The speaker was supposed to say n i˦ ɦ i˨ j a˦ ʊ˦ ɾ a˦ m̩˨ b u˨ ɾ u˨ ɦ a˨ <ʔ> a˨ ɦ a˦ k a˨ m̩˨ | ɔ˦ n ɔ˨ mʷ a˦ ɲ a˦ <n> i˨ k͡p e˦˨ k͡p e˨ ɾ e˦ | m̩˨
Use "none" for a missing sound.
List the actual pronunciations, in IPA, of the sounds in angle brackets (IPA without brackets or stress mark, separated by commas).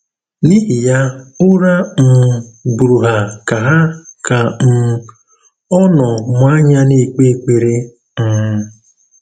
k, n